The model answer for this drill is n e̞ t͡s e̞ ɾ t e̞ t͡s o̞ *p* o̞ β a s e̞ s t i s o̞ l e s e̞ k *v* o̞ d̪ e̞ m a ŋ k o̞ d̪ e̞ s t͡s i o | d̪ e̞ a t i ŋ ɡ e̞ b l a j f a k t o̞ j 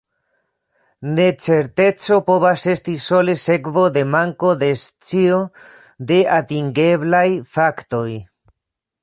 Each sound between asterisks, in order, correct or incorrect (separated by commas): correct, correct